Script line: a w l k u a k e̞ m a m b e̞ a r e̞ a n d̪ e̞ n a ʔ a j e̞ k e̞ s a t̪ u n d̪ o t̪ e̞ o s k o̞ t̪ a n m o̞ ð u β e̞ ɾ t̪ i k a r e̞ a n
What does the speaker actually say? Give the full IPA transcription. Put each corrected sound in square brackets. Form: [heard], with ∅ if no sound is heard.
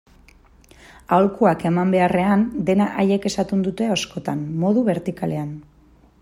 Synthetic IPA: a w l k u a k e̞ m a m b e̞ a r e̞ a n d̪ e̞ n a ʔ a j e̞ k e̞ s a t̪ u n d̪ [u] t̪ e̞ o s k o̞ t̪ a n m o̞ ð u β e̞ ɾ t̪ i k a [l] e̞ a n